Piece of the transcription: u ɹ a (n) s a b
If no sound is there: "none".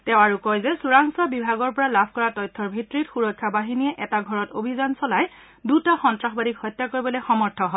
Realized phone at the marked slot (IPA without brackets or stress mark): ŋ